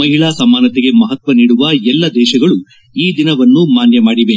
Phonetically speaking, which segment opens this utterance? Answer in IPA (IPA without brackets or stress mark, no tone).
ɐ